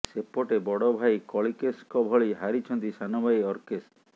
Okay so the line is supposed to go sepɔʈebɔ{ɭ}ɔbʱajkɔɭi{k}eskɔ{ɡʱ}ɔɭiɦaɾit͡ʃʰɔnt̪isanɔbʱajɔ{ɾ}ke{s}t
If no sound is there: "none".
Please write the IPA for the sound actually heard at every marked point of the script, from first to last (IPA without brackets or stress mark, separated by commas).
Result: ɽ, k, bʱ, ɾ, s